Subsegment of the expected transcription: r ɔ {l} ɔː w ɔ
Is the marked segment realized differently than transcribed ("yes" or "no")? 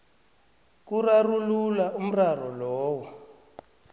no